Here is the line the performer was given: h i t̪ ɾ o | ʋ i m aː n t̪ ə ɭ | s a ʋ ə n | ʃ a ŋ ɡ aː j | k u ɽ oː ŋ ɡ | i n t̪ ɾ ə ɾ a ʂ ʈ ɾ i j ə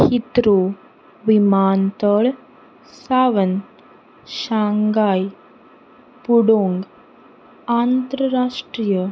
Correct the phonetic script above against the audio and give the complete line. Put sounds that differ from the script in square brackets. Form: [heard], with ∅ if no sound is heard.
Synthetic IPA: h i t̪ ɾ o | ʋ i m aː n t̪ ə ɭ | s a ʋ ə n | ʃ a ŋ ɡ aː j | [p] u ɽ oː ŋ ɡ | [a] n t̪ ɾ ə ɾ a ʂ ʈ ɾ i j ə

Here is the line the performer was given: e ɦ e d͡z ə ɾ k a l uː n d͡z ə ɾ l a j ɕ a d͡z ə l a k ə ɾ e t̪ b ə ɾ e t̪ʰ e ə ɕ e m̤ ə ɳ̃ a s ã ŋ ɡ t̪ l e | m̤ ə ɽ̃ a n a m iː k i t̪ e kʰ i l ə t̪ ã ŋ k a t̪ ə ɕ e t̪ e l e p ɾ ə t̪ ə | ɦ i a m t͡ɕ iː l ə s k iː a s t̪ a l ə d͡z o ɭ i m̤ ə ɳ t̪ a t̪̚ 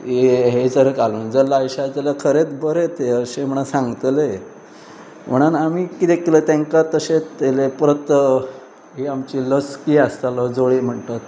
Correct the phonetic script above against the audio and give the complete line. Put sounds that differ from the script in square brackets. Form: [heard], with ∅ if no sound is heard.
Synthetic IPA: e ɦ e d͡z ə ɾ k a l uː n d͡z ə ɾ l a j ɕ a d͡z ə l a [kʰ] ə ɾ e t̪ b ə ɾ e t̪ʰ e ə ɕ e m̤ ə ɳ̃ a s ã ŋ ɡ t̪ l e | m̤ ə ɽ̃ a n a m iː k i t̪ e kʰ i l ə t̪ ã ŋ k a t̪ ə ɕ e t̪ e l e p ɾ ə t̪ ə | ɦ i a m t͡ɕ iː l ə s k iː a s t̪ a l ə d͡z o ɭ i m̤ ə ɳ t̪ a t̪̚

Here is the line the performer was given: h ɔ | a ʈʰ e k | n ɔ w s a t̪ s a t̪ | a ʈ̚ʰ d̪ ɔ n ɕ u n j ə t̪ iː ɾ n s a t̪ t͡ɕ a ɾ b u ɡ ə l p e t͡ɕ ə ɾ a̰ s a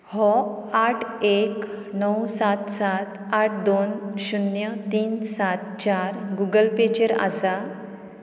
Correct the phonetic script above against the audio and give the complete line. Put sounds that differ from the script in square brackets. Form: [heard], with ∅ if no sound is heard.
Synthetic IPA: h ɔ | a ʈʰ e k | n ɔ w s a t̪ s a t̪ | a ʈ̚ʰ d̪ [o] n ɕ u n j ə t̪ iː [∅] n s a t̪ t͡ɕ a ɾ [ɡ] u ɡ ə l p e t͡ɕ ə ɾ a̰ s a

